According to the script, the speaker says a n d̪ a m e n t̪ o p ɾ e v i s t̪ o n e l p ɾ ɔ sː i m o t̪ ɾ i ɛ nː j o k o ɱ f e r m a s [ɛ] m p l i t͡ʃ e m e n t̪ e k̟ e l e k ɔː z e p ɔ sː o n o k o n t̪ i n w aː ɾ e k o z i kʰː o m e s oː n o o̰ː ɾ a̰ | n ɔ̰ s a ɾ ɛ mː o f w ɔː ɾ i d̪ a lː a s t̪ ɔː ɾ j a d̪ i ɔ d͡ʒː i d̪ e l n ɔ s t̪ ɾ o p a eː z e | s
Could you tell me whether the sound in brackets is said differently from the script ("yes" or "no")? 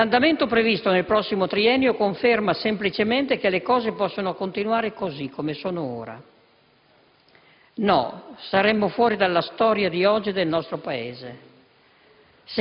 yes